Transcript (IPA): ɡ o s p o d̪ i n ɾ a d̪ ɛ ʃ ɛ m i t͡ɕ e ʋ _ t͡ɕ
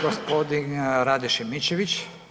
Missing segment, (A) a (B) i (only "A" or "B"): B